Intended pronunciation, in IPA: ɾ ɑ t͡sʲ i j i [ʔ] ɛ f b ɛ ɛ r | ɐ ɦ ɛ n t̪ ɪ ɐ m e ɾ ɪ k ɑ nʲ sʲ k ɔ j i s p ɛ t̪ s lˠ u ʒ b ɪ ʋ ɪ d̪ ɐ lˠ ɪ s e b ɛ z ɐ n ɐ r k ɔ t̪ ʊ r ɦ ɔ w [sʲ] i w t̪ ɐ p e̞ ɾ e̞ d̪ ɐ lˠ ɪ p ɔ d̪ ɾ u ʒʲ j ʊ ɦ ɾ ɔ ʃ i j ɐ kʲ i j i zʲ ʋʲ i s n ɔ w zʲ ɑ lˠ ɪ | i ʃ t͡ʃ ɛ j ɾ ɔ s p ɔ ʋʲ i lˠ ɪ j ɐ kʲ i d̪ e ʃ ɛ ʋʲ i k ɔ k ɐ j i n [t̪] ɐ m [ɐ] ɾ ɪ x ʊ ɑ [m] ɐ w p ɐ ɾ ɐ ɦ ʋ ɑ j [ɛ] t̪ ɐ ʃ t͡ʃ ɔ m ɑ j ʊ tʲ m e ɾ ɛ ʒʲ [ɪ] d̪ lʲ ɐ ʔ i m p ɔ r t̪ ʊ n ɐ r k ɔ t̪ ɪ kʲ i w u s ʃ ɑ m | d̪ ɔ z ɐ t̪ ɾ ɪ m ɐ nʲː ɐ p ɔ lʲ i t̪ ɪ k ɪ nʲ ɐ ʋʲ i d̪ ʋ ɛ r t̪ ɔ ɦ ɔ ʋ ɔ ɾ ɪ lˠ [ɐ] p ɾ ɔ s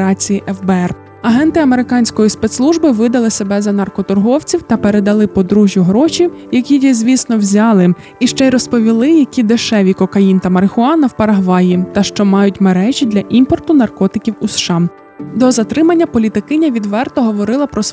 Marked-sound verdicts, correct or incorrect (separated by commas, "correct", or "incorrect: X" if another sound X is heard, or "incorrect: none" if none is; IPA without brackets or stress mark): correct, incorrect: t͡sʲ, correct, correct, incorrect: n, incorrect: i, incorrect: i, correct